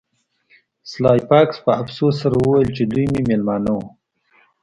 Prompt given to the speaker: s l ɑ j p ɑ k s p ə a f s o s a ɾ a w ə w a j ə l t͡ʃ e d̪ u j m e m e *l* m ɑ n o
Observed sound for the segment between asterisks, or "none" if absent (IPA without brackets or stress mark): l